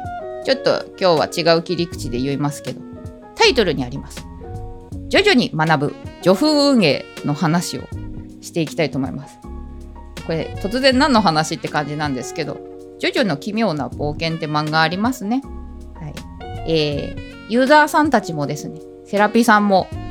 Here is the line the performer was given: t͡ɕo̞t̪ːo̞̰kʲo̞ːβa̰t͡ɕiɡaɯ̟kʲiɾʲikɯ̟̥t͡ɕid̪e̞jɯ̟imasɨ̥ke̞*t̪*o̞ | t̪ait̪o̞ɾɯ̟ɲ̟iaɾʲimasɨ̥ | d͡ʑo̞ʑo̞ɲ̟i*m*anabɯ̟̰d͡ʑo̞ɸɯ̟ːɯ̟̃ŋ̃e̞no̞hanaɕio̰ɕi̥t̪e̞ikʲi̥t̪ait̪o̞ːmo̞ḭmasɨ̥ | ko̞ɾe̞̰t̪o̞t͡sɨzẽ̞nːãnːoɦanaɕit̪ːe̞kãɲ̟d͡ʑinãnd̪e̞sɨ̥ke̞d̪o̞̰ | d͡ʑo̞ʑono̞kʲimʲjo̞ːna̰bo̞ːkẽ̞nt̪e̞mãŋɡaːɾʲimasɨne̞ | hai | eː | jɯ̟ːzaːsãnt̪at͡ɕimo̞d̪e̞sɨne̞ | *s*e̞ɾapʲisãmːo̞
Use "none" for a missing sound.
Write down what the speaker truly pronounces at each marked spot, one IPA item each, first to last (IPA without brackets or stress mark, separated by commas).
d̪, m, s